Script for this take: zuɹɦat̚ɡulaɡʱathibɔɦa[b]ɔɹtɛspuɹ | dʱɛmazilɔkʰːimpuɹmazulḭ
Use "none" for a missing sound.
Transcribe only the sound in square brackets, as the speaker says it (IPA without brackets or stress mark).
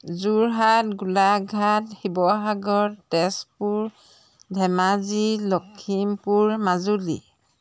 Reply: ɡ